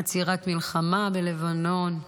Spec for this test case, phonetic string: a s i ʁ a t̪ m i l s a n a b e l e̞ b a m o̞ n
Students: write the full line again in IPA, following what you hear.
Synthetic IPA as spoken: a t͡s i ʁ a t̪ m i l χ a m a b e l e̞ v a n o̞ n